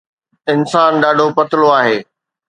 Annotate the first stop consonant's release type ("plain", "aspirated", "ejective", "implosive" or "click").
implosive